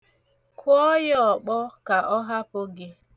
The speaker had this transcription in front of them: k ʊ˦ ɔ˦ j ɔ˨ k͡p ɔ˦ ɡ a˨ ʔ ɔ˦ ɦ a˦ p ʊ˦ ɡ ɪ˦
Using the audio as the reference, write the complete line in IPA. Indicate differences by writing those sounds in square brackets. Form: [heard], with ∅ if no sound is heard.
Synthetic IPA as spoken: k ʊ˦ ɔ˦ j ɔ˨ k͡p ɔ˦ [k] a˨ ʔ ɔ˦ ɦ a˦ p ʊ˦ ɡ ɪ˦

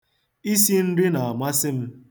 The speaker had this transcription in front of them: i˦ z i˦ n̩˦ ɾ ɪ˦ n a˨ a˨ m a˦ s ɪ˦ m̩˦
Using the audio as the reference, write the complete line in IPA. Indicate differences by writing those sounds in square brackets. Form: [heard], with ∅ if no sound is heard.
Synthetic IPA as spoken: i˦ [s] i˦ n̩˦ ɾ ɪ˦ n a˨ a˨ m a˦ s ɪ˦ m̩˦

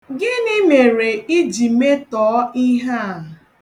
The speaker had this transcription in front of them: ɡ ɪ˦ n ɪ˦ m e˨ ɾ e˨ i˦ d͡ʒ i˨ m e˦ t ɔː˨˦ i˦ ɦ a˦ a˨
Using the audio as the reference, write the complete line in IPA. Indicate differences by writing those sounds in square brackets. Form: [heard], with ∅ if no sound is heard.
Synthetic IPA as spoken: ɡ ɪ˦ n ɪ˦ m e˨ ɾ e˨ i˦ d͡ʒ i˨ m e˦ t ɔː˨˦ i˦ ɦ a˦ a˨

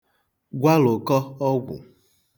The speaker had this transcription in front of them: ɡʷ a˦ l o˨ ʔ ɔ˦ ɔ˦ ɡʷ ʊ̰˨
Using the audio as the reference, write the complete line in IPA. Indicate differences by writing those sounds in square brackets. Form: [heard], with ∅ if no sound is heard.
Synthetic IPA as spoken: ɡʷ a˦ l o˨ [k] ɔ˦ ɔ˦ ɡʷ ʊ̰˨

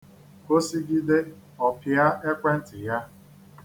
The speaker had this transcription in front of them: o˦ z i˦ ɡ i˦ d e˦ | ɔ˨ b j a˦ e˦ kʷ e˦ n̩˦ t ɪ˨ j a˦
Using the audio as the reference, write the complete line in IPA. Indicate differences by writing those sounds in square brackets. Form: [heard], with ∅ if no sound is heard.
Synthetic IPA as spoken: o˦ [s] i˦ ɡ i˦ d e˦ | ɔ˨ [p] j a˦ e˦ kʷ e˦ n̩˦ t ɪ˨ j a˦

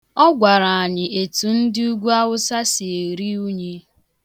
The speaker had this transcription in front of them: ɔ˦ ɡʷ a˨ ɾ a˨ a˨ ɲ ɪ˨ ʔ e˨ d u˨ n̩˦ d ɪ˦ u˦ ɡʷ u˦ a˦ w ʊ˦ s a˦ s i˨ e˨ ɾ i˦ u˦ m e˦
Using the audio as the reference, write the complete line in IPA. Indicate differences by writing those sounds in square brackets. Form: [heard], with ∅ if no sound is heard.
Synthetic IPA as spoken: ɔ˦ ɡʷ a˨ ɾ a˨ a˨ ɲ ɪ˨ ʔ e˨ [t] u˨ n̩˦ d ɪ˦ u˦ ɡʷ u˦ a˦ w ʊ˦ s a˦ s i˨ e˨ ɾ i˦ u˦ [ɲ] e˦

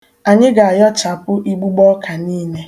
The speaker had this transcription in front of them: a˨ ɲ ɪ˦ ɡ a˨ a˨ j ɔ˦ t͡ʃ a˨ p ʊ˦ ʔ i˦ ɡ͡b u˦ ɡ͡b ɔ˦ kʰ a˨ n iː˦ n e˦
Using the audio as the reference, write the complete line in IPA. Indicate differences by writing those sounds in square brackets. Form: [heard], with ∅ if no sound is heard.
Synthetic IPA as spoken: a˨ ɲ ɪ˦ ɡ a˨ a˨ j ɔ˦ t͡ʃ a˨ p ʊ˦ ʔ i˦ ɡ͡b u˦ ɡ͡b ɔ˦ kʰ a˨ n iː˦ n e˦

